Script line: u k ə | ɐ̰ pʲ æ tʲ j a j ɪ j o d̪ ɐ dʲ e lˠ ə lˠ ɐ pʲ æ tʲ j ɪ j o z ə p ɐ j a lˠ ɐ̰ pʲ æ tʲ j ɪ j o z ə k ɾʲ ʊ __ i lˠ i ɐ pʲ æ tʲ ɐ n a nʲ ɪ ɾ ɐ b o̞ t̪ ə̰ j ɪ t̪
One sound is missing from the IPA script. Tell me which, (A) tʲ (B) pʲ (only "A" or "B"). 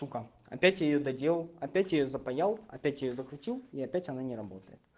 A